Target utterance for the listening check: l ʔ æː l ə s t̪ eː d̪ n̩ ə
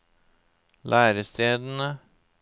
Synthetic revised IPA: l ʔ æː ɾ ə s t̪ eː d̪ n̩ ə